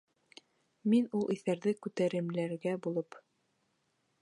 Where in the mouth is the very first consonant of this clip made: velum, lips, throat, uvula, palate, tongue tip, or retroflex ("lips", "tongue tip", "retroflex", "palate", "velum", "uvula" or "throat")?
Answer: lips